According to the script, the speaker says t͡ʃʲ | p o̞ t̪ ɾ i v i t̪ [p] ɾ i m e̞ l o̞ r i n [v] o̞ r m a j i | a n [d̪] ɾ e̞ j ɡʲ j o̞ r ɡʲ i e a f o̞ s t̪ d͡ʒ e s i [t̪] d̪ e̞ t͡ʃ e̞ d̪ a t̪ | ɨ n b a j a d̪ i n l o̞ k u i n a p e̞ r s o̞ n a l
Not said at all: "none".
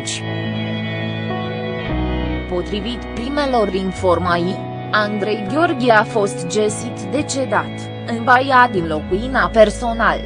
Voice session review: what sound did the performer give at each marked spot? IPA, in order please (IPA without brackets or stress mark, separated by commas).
p, f, d̪, t̪